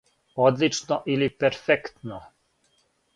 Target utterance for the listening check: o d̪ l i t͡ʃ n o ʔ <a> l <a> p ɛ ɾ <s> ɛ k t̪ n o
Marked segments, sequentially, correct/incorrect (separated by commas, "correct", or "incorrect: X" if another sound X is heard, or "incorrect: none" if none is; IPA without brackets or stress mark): incorrect: i, incorrect: i, incorrect: f